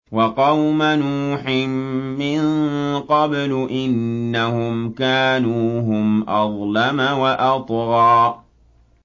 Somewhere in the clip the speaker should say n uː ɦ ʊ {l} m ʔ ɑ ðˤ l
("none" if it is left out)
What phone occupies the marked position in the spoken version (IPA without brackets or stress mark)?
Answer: none